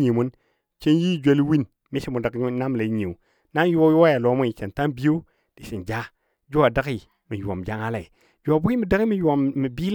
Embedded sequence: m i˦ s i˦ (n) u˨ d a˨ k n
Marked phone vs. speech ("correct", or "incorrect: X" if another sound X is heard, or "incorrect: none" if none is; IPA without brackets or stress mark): incorrect: m